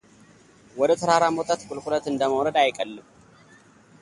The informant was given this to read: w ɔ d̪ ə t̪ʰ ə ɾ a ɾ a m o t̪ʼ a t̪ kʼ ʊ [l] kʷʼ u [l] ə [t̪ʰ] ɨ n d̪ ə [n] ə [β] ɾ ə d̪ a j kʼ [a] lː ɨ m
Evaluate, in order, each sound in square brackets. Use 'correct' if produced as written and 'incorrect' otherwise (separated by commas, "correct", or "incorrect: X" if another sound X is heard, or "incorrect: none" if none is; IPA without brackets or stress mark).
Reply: correct, correct, incorrect: t̪, incorrect: m, incorrect: w, incorrect: ə